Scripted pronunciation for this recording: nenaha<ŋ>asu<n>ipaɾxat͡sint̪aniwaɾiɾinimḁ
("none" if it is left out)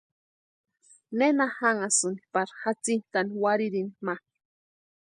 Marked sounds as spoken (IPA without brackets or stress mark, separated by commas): ŋ, n